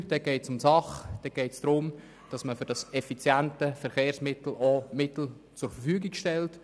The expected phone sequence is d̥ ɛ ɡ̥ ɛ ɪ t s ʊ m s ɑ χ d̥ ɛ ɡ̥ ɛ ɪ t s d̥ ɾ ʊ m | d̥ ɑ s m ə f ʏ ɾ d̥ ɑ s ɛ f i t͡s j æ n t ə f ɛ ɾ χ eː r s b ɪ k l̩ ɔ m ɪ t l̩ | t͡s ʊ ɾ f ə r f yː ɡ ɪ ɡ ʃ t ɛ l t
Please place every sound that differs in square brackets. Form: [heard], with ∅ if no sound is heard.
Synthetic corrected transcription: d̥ ɛ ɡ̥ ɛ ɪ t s ʊ m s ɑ χ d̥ ɛ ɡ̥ ɛ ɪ t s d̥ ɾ ʊ m | d̥ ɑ s m ə f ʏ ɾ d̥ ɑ s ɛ f i t͡s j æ n t ə f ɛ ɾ χ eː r s [m] ɪ [t] l̩ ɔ m ɪ t l̩ | t͡s ʊ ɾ f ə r f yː ɡ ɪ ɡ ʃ t ɛ l t